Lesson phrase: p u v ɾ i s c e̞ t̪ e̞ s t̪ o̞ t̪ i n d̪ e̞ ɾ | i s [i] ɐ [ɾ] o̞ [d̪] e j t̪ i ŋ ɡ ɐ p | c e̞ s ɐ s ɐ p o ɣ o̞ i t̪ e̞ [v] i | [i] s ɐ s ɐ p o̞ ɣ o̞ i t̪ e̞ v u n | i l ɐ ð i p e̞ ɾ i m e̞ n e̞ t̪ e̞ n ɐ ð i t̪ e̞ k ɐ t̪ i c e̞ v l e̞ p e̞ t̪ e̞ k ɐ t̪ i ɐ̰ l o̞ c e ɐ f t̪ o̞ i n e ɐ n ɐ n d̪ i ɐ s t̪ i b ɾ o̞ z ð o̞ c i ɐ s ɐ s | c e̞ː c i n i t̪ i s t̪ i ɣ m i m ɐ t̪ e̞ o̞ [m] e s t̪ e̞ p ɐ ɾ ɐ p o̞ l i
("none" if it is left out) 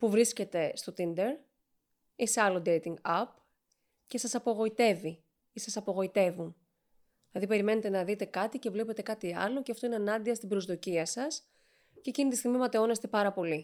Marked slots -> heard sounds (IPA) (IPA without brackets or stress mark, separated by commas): e, l, d̪, v, i, n